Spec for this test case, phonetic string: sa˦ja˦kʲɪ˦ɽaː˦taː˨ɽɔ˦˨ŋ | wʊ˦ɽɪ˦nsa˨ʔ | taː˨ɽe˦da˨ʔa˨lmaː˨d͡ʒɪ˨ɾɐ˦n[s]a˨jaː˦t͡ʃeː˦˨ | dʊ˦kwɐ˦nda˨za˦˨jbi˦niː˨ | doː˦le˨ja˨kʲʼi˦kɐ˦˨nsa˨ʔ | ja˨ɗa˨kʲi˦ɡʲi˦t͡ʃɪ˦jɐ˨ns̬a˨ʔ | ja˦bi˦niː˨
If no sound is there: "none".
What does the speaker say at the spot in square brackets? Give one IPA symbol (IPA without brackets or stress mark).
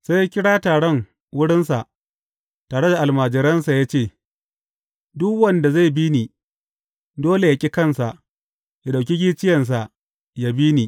s